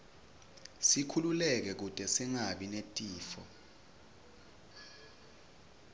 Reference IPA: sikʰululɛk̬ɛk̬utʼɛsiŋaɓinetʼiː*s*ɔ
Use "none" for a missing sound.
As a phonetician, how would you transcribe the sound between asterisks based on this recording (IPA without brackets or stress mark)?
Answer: f